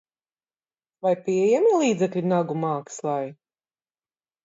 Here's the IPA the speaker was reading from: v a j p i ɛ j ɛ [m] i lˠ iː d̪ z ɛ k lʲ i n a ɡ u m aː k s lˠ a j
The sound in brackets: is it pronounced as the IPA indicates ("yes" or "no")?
yes